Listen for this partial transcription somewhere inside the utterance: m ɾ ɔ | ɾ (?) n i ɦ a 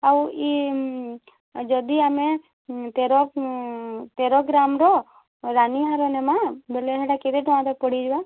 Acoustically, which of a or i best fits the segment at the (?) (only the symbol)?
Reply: a